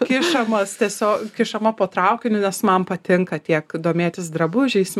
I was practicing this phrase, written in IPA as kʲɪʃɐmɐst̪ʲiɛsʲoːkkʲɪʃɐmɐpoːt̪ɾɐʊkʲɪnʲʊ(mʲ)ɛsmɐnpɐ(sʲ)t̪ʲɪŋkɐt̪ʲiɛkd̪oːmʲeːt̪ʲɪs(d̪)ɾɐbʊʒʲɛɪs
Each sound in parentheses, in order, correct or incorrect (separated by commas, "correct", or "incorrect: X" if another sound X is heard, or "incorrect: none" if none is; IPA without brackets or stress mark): incorrect: nʲ, incorrect: none, correct